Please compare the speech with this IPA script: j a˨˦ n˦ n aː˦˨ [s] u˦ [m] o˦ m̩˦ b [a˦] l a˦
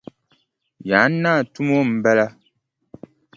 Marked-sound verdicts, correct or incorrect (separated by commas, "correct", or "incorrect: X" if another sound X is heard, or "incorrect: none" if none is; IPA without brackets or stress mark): incorrect: t, correct, incorrect: ɛ˦